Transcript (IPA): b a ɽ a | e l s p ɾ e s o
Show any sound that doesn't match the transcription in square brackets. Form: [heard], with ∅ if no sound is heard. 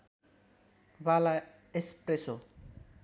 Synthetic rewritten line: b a [l] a | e [∅] s p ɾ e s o